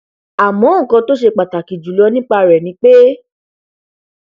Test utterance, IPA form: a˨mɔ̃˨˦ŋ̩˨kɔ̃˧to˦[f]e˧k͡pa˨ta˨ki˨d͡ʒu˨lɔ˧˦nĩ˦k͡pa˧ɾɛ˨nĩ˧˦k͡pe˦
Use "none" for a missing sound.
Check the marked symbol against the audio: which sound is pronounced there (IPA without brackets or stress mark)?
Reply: ʃ